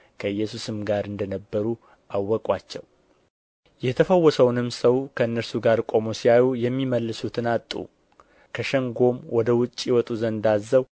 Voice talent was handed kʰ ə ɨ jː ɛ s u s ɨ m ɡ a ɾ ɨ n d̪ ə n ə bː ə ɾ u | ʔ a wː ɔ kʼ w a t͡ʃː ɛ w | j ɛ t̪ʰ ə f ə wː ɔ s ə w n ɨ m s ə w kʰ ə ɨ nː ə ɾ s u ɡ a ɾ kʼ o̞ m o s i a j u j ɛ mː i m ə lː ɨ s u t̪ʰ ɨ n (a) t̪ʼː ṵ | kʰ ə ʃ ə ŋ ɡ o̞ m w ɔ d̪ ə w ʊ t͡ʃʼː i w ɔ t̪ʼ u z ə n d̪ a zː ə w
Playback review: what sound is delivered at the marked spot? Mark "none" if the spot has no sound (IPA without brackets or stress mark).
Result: a